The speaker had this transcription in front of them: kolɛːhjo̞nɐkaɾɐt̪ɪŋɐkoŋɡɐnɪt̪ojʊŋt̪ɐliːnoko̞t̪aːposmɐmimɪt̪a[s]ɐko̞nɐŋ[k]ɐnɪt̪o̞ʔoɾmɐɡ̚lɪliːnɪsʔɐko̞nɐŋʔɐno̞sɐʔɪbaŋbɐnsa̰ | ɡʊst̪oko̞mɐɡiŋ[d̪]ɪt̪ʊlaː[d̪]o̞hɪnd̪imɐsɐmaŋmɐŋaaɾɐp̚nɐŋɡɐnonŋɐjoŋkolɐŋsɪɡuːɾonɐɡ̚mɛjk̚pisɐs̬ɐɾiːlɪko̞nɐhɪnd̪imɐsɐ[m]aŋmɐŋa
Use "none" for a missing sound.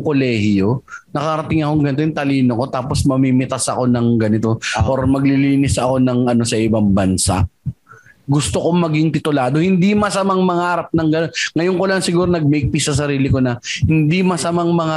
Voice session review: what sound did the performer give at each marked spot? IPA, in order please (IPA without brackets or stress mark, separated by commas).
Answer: s, ɡ, t̪, d̪, m